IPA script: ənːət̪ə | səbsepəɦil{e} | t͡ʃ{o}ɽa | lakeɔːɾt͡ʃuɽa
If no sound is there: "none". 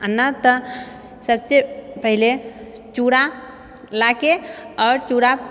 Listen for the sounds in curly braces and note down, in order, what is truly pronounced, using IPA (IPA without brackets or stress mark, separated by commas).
e, u